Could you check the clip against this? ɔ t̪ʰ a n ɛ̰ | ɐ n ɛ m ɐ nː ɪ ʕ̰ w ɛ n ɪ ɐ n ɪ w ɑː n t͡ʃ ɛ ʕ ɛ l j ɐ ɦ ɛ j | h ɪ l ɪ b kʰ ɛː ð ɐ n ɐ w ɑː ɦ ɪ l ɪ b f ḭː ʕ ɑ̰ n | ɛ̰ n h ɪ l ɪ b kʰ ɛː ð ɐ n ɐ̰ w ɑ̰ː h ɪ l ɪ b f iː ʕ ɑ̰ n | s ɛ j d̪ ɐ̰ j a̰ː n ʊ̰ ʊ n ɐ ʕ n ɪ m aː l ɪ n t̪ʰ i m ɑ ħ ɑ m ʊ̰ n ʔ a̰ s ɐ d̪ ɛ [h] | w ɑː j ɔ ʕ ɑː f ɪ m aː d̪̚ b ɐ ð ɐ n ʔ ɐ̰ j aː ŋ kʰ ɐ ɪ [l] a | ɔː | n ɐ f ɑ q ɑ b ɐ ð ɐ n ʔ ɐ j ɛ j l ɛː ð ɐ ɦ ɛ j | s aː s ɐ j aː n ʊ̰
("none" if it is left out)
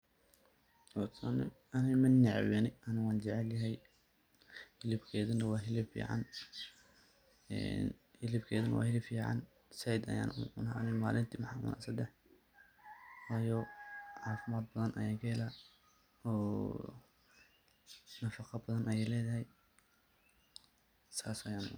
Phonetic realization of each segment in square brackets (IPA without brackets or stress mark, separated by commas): ħ, l